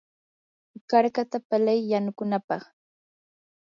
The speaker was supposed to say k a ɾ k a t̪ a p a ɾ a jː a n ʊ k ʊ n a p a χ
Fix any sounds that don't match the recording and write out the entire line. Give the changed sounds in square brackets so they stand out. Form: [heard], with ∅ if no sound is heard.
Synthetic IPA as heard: k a ɾ k a t̪ a p a [l] a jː a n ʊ k ʊ n a p [ɑ] χ